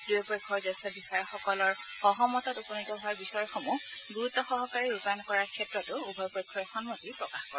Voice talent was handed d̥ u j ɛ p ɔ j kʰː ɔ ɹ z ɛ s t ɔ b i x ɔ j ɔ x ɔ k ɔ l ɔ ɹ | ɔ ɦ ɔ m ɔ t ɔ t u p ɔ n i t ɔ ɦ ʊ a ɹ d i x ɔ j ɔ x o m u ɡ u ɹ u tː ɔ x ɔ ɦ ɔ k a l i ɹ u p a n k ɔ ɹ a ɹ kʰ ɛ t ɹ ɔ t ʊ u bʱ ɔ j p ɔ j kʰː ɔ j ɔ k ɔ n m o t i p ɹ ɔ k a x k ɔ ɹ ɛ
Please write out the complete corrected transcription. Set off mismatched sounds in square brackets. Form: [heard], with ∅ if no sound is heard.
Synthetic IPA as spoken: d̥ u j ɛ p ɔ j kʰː ɔ ɹ z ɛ s t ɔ b i x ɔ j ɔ x ɔ k ɔ l ɔ ɹ | ɔ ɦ ɔ m ɔ t ɔ t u p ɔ n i t ɔ ɦ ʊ a ɹ [b] i x ɔ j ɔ x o m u ɡ u ɹ u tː ɔ x ɔ ɦ ɔ k a [ɹ] i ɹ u p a n k ɔ ɹ a ɹ kʰ ɛ t ɹ ɔ t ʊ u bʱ ɔ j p ɔ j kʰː ɔ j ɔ [x] ɔ n m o t i p ɹ ɔ k a x k ɔ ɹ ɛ